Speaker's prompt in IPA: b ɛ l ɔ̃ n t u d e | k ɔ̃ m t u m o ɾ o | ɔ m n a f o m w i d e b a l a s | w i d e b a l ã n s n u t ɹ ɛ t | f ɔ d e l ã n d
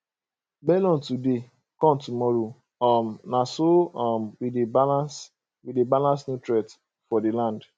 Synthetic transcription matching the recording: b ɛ l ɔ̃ n t u d e | k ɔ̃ m t u m ɔ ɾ o | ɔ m n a s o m w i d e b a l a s | w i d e b a l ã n s n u t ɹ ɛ t | f ɔ d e l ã n d